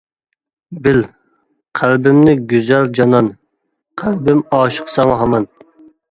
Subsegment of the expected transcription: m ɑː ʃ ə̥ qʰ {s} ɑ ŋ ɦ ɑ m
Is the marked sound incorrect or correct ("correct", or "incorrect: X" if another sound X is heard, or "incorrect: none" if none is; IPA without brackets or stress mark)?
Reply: correct